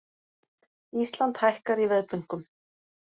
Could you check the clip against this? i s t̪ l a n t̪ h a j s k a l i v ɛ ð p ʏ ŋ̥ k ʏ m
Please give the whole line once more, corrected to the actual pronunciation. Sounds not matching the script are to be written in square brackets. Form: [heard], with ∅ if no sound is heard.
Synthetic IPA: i s t̪ l a n t̪ h a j [h] k a [ɾ] i v ɛ ð p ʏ ŋ̥ k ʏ m

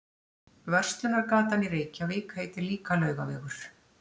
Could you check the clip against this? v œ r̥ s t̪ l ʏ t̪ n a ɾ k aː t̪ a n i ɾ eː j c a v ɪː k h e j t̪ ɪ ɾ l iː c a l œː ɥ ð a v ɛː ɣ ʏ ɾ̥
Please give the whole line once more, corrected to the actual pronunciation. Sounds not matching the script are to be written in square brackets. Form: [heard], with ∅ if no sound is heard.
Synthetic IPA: v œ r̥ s t̪ l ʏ [∅] n a ɾ k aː t̪ a n i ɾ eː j c a v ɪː k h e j t̪ ɪ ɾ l iː [k] a l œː ɥ [ɣ] a v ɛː ɣ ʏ ɾ̥

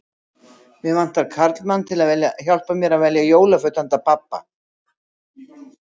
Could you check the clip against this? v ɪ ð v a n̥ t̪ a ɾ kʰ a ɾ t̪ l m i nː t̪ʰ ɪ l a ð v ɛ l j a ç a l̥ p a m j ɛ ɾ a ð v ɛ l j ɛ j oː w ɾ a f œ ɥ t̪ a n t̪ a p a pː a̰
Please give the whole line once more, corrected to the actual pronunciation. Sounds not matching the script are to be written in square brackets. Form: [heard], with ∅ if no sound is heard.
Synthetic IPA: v ɪ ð v a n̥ t̪ a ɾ kʰ a ɾ t̪ l m [a] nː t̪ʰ ɪ l a ð v ɛ l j a ç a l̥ p a m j ɛ ɾ a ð v ɛ l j [a] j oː w [l] a f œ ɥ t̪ a n t̪ a p a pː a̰

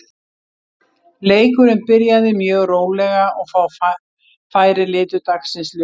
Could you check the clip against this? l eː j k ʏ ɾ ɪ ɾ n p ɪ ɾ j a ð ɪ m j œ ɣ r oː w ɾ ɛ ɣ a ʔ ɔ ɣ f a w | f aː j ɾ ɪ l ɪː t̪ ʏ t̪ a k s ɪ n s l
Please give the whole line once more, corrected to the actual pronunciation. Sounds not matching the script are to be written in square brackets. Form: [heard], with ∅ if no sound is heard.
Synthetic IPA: l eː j k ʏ ɾ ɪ [∅] n p ɪ ɾ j a ð ɪ m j [œː] ɣ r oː w [l] ɛ ɣ a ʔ ɔ ɣ f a w | f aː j ɾ ɪ l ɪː t̪ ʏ t̪ a k s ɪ n s l

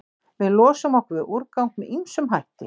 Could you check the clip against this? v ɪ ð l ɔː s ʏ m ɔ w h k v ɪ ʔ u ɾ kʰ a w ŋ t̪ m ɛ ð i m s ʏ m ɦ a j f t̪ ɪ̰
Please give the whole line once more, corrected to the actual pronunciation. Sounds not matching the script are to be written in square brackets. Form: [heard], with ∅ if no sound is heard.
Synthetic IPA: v ɪ ð l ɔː s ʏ m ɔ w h k v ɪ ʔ u ɾ [k] a w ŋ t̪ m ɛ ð i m s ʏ m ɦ a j [h] t̪ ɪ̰

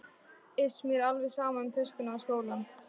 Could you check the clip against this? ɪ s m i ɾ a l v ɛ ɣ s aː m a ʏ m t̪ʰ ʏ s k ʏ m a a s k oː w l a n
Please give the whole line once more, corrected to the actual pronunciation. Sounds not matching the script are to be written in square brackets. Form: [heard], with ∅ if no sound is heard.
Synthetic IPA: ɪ s m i ɾ a l v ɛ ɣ s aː m a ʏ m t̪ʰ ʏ s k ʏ [n] a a s k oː w l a n

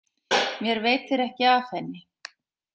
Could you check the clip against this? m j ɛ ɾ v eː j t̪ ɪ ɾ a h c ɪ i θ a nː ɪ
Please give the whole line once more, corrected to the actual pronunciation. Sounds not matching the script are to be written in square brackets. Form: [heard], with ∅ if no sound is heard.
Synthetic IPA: m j ɛ ɾ v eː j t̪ ɪ ɾ [ɛ] h c ɪ [a] θ [ɛ] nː ɪ

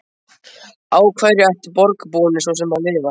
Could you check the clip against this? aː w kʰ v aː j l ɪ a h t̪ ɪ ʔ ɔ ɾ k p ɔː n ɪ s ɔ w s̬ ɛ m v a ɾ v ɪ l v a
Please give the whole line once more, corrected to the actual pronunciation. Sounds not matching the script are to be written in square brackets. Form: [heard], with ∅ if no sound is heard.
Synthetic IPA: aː w kʰ v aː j [ɾ] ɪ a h t̪ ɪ [p] ɔ ɾ k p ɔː n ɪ s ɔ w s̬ ɛ m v a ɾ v ɪ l v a

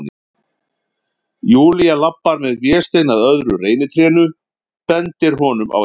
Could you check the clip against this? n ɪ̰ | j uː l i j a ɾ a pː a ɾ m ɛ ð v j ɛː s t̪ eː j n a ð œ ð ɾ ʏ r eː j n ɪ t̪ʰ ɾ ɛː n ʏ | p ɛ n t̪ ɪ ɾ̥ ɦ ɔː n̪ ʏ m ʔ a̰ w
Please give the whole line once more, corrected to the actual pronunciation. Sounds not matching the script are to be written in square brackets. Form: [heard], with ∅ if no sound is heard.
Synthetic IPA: n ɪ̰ | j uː l i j a [l] a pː a ɾ m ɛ ð v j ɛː s t̪ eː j n a ð œ ð ɾ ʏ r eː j n ɪ t̪ʰ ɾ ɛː n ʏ | p ɛ n t̪ ɪ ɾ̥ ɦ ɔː n̪ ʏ m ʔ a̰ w

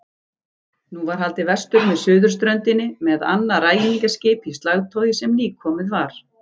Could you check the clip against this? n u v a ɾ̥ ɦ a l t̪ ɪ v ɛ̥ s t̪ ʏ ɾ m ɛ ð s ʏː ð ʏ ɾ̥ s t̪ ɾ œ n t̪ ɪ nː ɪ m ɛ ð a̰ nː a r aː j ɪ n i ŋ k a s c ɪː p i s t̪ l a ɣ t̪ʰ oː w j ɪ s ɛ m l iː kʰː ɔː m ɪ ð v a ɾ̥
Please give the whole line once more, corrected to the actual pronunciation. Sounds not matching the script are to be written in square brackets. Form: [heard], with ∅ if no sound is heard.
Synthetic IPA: n u v a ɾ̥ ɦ a l t̪ ɪ v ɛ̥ s t̪ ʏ ɾ m ɛ ð s ʏː ð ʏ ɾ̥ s t̪ ɾ œ n t̪ ɪ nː ɪ m ɛ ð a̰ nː a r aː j ɪ n i ŋ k a s c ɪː p i s t̪ l a ɣ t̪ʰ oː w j ɪ s ɛ m l iː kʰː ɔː m ɪ ð v a ɾ̥

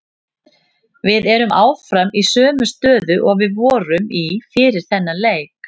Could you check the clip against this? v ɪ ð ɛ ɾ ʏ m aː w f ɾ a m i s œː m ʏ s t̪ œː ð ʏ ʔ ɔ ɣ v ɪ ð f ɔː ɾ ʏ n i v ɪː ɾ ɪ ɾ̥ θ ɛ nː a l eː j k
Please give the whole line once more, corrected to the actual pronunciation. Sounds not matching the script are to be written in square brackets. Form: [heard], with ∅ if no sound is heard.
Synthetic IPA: v ɪ ð ɛ ɾ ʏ m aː w f ɾ a m i s œː m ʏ s t̪ œː ð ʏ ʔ ɔ ɣ v ɪ ð [v] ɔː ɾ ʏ [m] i [f] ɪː ɾ ɪ ɾ̥ θ ɛ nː a l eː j k

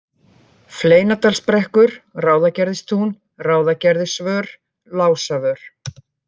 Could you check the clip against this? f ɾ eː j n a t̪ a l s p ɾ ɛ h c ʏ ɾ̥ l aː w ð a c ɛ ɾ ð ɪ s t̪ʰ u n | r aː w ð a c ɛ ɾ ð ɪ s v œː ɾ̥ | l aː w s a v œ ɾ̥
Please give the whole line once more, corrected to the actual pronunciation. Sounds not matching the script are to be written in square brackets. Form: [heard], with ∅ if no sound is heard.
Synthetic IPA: f [l] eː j n a t̪ a l s p ɾ ɛ h [k] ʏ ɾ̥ [r] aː w ð a c ɛ ɾ ð ɪ s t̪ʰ u n | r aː w ð a c ɛ ɾ ð ɪ s v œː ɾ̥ | l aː w s a v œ ɾ̥

